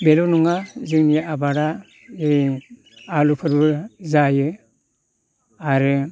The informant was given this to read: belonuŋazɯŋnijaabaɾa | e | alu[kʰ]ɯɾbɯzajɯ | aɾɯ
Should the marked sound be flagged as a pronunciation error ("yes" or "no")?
yes